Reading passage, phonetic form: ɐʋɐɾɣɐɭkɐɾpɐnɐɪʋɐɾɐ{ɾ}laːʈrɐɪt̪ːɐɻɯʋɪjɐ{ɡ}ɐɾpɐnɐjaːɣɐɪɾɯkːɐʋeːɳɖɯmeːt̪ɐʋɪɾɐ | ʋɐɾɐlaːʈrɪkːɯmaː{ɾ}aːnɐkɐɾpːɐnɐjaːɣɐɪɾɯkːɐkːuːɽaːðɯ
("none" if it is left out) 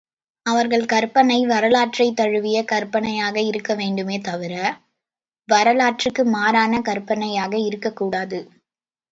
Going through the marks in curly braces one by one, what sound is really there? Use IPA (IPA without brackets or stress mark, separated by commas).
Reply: none, k, ɾ